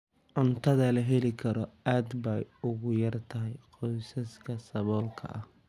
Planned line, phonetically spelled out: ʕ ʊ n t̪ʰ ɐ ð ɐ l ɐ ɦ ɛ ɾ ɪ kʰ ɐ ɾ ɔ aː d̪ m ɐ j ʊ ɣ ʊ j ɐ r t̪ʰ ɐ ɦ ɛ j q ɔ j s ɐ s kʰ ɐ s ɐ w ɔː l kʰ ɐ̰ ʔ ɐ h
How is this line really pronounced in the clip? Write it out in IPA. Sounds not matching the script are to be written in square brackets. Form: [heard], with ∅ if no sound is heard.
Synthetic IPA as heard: ʕ ʊ n t̪ʰ ɐ ð ɐ l ɐ ɦ ɛ [l] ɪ kʰ ɐ ɾ ɔ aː d̪ [b] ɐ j ʊ ɣ ʊ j ɐ r t̪ʰ ɐ ɦ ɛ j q ɔ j s ɐ s kʰ ɐ s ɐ [β] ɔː l kʰ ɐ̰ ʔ ɐ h